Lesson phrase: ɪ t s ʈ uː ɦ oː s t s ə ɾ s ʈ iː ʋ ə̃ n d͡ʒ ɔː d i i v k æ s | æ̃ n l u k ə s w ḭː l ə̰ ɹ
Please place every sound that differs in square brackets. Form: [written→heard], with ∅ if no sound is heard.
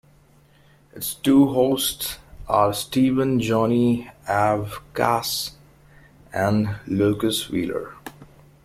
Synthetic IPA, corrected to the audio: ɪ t s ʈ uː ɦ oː s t s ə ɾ s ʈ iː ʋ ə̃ n d͡ʒ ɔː [d→n] i [i→æ] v k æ s | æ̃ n l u k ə s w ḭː l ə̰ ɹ